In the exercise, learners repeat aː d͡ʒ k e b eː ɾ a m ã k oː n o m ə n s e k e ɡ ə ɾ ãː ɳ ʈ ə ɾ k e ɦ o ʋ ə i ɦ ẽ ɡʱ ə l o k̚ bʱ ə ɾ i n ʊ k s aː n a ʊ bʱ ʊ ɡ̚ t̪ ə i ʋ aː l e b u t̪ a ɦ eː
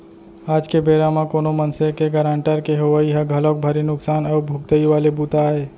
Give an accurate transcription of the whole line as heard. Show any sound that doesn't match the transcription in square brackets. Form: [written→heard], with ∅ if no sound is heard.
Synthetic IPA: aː d͡ʒ k e b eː ɾ a m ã k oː n o m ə n s e k e ɡ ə ɾ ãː ɳ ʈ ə ɾ k e ɦ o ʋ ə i ɦ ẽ ɡʱ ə l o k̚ bʱ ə ɾ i n ʊ k s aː n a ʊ bʱ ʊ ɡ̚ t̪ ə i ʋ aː l e b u t̪ a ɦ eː